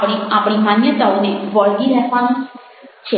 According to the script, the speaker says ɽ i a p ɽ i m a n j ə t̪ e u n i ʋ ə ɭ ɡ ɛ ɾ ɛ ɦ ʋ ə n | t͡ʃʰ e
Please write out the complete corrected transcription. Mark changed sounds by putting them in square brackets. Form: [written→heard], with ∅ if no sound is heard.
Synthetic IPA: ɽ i a p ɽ i m a n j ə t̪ [e→a] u n [i→e] ʋ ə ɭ ɡ [ɛ→i] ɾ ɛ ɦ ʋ [ə→a] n | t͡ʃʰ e